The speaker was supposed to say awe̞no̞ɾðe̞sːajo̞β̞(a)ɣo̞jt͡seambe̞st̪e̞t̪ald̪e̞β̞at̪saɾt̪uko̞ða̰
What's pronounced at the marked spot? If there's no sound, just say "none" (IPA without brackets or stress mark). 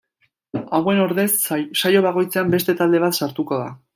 a